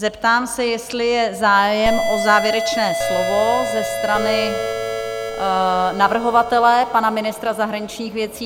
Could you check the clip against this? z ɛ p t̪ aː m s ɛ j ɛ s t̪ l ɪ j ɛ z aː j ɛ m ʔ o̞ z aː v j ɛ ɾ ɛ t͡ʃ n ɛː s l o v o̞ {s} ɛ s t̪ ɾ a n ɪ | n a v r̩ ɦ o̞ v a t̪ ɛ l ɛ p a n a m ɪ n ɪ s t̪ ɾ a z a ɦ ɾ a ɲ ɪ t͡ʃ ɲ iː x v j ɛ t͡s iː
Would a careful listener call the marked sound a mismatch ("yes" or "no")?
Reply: yes